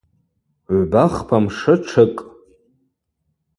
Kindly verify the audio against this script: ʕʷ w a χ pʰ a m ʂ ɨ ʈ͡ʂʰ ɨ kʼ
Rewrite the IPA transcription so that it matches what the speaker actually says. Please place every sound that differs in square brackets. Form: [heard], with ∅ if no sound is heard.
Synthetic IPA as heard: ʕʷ [b] a χ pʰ a m ʂ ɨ ʈ͡ʂʰ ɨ kʼ